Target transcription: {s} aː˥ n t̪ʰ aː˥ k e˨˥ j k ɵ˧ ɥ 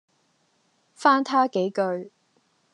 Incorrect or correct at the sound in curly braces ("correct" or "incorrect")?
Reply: incorrect